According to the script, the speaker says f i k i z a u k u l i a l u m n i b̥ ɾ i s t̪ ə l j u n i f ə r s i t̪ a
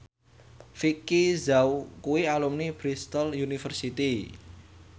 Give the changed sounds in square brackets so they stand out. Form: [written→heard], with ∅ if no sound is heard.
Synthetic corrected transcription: f i k i z a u k u [l→∅] i a l u m n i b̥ ɾ i s t̪ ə l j u n i f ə r s i t̪ [a→i]

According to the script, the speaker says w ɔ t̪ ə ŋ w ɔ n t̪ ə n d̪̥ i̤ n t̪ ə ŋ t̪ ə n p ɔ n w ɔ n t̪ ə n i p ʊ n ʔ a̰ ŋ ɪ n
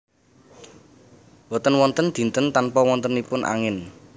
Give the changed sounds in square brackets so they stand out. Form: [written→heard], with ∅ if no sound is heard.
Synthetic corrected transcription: w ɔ t̪ ə [ŋ→n] w ɔ n t̪ ə n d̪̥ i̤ n t̪ ə [ŋ→n] t̪ [ə→a] n p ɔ [n→∅] w ɔ n t̪ ə n i p ʊ n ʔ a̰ ŋ ɪ n

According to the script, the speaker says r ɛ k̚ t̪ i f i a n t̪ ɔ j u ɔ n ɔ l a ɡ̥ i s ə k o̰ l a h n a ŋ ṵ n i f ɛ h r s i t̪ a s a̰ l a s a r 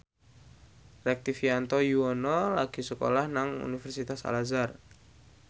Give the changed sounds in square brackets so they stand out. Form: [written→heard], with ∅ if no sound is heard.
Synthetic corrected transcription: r ɛ k̚ t̪ i f i a n t̪ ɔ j u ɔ n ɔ l a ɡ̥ i s ə k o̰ l a h n a ŋ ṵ n i f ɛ [h→∅] r s i t̪ a s a̰ l a [s→z] a r

